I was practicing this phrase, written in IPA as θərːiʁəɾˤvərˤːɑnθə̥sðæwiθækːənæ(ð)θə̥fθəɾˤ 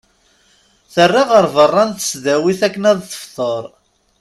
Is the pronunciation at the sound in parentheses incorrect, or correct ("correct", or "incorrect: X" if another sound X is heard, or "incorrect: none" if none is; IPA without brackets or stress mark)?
correct